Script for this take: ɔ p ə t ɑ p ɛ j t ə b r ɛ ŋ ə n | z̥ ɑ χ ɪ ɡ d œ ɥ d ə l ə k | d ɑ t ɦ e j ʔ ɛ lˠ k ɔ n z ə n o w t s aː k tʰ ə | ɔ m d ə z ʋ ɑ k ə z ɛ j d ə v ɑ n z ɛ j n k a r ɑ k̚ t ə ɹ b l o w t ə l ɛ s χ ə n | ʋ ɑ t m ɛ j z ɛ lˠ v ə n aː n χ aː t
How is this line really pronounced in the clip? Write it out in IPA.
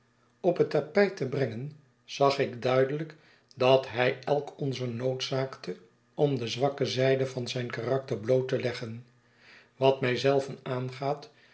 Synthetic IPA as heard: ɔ p ə t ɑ p ɛ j t ə b r ɛ ŋ ə n | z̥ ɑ χ ɪ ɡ d œ ɥ d ə l ə k | d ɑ t ɦ ɛ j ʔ ɛ lˠ k ɔ n z ə n o w t s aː k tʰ ə | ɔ m d ə z ʋ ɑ k ə z ɛ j d ə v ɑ n z ɛ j n k a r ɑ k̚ t ə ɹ b l o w t ə l ɛ χ ə n | ʋ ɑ t m ɛ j z ɛ lˠ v ə n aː n χ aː t